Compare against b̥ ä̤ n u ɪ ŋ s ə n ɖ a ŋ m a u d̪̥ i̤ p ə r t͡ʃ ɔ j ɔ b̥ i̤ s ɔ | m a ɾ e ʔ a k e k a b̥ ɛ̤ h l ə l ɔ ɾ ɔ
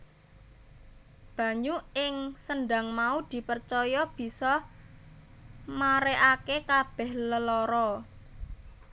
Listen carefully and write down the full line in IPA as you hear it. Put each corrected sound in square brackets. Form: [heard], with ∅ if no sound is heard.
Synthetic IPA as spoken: b̥ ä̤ [ɲ] u ɪ ŋ s ə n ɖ a ŋ m a u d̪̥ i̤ p ə r t͡ʃ ɔ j ɔ b̥ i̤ s ɔ | m a ɾ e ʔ a k e k a b̥ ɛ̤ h l ə l ɔ ɾ ɔ